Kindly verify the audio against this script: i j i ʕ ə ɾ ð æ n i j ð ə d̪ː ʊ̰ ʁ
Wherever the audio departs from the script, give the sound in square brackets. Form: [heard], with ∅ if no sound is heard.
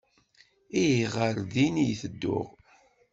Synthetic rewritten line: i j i [ʁ] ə ɾ ð [i] n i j [θ] ə d̪ː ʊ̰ ʁ